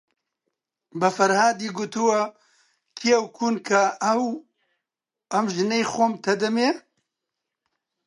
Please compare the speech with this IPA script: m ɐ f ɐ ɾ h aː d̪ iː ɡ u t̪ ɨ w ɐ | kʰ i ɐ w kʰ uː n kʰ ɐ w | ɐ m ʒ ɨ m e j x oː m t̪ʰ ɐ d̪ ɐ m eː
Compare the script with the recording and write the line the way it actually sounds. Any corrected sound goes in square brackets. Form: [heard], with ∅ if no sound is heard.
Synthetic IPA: [b] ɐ f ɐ ɾ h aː d̪ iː ɡ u t̪ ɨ w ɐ | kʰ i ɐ w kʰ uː n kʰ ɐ w | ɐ m ʒ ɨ [n] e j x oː m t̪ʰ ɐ d̪ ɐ m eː